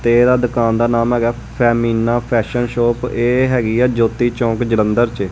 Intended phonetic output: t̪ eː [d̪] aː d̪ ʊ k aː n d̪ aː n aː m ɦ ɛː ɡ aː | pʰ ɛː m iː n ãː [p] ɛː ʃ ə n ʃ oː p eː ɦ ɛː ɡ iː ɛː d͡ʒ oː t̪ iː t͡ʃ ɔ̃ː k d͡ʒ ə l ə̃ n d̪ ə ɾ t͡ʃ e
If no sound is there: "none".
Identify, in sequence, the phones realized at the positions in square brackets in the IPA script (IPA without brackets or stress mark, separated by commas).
d̪, pʰ